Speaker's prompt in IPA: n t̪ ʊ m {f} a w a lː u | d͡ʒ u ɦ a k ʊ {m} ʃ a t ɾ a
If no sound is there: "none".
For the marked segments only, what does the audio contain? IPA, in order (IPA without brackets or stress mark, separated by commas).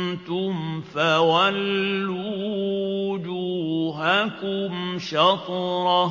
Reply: f, m